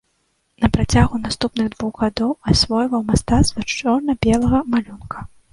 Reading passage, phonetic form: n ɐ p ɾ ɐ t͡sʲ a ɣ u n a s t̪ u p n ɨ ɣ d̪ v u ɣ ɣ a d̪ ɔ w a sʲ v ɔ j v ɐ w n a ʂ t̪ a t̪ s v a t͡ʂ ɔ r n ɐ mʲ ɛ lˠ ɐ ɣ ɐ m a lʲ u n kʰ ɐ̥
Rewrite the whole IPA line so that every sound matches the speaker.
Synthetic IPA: n ɐ p ɾ a t͡sʲ a ɣ u n a s t̪ u p n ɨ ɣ d̪ v u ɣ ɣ a d̪ ɔ w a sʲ v ɔ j v ɐ w m a s t̪ a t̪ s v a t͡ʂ ɔ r n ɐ bʲ ɛ lˠ ɐ ɣ ɐ m a lʲ u n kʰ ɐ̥